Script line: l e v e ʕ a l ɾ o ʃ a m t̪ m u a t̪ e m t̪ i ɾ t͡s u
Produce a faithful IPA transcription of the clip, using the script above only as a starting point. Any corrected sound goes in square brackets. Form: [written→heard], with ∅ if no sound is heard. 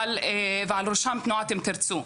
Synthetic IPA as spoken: l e v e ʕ a l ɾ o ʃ a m t̪ [m→n] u a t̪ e m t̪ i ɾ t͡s u